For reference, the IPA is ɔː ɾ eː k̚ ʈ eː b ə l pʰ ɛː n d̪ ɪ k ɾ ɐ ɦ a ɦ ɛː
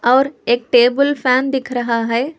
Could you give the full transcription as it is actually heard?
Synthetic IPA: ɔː ɾ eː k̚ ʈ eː b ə l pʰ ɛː n d̪ ɪ kʰ ɾ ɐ ɦ a ɦ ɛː